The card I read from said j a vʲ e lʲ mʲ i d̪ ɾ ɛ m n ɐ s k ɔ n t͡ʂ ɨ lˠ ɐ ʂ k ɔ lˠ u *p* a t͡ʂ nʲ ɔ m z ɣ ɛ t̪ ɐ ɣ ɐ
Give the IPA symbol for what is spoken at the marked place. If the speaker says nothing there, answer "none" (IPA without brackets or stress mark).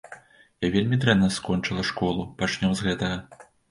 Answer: p